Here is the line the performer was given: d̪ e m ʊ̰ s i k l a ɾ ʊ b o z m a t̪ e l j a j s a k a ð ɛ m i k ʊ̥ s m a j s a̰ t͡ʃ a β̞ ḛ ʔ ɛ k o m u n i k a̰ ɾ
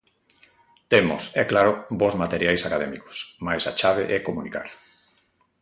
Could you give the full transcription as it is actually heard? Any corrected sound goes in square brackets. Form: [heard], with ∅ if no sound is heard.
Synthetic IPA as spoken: [t̪] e m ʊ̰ s [ɛ] k l a ɾ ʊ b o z m a t̪ e [ɾ] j a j s a k a ð ɛ m i k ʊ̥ s m a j s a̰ t͡ʃ a β̞ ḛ ʔ ɛ k o m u n i k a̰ ɾ